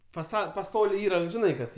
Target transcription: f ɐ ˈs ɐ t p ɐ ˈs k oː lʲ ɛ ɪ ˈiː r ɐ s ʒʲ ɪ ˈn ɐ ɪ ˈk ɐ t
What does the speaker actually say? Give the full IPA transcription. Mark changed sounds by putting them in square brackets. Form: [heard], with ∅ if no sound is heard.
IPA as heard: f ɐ ˈs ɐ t p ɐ ˈs [t] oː lʲ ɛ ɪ ˈiː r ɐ [∅] ʒʲ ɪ ˈn ɐ ɪ ˈk ɐ [s]